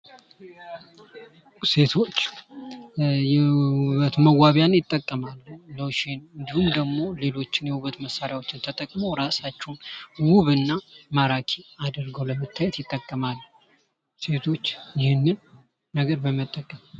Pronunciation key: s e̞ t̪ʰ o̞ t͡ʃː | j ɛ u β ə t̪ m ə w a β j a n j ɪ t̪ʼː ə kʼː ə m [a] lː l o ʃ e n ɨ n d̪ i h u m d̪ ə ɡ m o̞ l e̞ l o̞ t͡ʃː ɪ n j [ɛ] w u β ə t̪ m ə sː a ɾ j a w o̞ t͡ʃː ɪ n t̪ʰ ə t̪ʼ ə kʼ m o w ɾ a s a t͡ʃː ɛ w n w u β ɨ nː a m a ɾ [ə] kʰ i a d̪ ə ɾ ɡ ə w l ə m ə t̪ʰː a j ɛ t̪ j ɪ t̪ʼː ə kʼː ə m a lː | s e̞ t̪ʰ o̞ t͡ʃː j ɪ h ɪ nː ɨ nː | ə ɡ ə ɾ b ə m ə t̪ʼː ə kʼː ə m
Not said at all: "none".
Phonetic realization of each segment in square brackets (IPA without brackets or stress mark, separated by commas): a, ɛ, a